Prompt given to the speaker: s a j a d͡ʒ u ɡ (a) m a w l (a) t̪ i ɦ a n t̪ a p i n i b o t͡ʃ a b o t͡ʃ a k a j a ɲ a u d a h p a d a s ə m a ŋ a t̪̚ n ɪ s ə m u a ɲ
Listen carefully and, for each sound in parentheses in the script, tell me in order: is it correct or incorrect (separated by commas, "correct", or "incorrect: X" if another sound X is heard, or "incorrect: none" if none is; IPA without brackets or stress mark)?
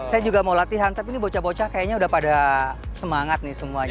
correct, correct